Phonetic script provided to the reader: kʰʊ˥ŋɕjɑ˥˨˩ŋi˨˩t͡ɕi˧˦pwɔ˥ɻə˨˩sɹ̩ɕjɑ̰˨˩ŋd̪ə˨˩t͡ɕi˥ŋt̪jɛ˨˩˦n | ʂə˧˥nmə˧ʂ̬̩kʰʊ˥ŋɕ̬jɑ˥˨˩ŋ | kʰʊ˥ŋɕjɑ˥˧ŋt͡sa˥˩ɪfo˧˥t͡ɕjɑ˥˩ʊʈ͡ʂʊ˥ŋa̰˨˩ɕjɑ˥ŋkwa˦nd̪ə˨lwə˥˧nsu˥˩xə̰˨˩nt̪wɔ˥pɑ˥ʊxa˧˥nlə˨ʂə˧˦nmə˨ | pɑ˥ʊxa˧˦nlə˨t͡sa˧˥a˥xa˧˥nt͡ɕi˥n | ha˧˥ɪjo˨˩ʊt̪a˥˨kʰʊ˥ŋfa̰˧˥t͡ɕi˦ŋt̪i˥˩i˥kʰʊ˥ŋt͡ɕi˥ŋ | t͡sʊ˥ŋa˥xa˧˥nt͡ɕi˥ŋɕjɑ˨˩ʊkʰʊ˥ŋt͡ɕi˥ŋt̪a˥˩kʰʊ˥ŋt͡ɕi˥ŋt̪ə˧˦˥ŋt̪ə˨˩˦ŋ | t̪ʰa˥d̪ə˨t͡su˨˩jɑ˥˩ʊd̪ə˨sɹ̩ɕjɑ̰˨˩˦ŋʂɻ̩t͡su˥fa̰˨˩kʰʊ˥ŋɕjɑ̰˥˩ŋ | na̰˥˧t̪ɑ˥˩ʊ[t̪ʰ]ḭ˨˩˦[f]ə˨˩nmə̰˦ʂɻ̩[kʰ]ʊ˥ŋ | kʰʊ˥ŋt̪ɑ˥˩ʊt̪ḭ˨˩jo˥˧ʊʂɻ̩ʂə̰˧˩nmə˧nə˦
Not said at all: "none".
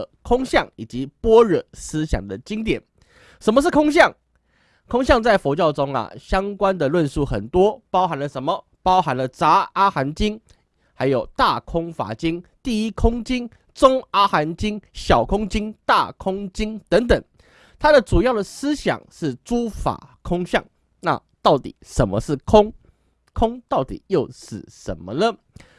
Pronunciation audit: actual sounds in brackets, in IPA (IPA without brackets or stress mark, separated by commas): t̪, ʂ, kʰ